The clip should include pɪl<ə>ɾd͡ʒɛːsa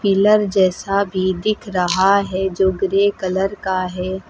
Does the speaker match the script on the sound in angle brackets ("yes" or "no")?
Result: yes